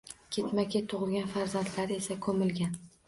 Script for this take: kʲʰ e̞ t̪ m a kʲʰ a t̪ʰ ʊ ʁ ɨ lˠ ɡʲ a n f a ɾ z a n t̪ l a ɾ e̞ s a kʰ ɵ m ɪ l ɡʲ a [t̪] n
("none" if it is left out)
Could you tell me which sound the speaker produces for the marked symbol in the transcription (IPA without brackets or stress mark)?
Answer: none